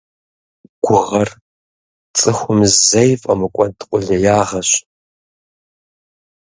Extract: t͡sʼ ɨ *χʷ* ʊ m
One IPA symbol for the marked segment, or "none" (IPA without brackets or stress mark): xʷ